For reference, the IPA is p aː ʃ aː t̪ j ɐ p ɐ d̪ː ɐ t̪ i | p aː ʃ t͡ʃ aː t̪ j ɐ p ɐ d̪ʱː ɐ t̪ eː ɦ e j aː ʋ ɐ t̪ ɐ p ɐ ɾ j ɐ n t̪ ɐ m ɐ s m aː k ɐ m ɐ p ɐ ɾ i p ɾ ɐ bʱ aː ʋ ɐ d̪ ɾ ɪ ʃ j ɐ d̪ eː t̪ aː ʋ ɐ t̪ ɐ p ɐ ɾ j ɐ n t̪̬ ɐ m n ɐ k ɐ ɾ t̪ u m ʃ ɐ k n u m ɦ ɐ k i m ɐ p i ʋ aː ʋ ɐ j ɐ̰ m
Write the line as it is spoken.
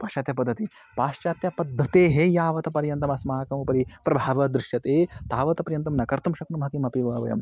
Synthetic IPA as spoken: p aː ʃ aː t̪ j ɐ p ɐ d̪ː ɐ t̪ i | p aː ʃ t͡ʃ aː t̪ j ɐ p ɐ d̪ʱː ɐ t̪ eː ɦ e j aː ʋ ɐ t̪ ɐ p ɐ ɾ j ɐ n t̪ ɐ m ɐ s m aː k ɐ m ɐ p ɐ ɾ i p ɾ ɐ bʱ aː ʋ ɐ d̪ ɾ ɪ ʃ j ɐ t̪ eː t̪ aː ʋ ɐ t̪ ɐ p ɐ ɾ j ɐ n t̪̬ ɐ m n ɐ k ɐ ɾ t̪ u m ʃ ɐ k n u m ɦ ɐ k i m ɐ p i ʋ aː ʋ ɐ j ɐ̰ m